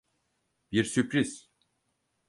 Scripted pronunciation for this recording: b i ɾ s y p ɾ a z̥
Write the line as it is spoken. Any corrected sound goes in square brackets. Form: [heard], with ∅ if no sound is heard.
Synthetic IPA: b i ɾ s y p ɾ [i] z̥